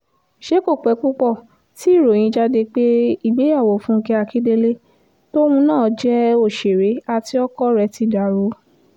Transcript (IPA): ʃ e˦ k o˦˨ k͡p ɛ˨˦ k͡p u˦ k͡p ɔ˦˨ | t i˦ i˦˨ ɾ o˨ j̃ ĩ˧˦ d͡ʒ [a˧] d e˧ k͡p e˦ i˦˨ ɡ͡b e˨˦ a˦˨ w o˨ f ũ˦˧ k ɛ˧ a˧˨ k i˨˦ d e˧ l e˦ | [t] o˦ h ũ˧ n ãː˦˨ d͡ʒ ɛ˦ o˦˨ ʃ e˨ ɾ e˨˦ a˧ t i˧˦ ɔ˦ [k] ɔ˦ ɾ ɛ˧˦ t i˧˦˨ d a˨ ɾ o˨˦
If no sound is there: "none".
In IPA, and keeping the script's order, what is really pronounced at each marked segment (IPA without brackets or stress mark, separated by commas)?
a˧, t, k